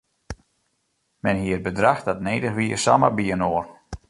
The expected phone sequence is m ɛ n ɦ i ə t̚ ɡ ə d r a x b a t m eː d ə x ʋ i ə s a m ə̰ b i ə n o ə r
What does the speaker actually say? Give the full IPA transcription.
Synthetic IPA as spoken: m ɛ n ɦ i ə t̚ b ə d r a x d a t n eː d ə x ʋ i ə s a m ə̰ b i ə n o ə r